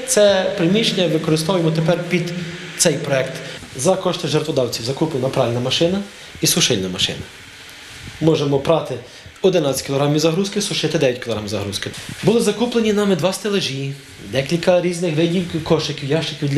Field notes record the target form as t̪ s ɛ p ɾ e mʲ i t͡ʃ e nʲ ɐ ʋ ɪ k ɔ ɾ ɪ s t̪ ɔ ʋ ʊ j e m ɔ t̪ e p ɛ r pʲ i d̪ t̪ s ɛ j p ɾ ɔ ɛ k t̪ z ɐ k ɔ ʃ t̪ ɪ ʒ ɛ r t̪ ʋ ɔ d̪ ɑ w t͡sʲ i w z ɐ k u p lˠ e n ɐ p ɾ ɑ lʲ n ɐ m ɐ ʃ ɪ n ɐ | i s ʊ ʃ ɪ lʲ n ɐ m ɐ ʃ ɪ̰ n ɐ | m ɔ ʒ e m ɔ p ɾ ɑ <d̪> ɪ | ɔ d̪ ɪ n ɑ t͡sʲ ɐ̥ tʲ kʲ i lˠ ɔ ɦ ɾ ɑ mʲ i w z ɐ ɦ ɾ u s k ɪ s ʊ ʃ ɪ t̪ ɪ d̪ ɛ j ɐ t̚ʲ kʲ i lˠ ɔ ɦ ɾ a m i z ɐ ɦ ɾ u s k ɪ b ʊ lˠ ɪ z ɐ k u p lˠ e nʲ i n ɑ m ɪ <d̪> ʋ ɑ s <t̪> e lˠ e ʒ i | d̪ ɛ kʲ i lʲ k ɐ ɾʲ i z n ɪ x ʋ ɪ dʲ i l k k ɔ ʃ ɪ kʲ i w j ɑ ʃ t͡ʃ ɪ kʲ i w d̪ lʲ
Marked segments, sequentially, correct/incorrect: incorrect, correct, correct

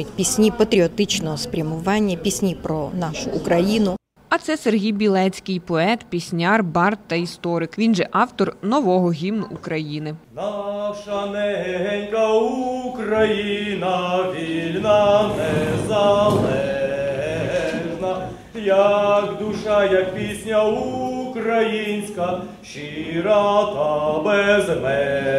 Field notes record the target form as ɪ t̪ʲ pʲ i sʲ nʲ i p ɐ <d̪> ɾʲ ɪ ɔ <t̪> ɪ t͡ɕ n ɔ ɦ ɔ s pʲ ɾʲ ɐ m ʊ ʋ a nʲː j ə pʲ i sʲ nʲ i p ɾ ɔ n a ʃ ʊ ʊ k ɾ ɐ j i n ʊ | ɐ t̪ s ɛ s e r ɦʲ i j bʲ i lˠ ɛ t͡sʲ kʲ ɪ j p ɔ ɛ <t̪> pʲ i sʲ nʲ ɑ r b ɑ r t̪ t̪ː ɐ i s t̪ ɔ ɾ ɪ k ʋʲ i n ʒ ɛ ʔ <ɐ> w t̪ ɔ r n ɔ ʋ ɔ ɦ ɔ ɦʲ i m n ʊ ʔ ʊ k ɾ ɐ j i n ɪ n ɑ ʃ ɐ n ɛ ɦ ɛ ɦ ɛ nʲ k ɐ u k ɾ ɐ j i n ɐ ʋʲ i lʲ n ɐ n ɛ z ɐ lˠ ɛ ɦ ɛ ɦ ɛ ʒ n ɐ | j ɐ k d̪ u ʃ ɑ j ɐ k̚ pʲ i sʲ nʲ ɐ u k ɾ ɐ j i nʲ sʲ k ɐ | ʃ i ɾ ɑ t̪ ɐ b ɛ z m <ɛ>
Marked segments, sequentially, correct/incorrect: incorrect, correct, correct, incorrect, correct

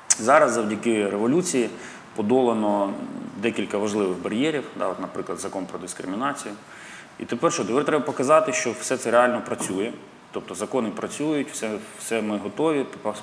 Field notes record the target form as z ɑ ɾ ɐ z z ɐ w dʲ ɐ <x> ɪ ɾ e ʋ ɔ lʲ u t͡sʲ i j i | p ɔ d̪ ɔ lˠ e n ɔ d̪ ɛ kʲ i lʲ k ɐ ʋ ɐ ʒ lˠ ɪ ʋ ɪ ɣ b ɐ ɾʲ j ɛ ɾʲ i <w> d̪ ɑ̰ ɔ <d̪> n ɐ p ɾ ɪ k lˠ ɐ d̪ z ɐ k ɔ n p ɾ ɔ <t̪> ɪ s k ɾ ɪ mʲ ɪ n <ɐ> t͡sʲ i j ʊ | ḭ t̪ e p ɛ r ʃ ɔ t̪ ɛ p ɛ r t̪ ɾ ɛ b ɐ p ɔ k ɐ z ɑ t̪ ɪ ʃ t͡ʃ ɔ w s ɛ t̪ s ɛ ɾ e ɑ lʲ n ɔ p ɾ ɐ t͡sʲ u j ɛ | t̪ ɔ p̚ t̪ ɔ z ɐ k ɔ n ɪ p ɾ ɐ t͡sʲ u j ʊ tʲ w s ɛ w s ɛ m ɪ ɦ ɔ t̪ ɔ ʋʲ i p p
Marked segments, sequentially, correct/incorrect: incorrect, correct, incorrect, incorrect, incorrect

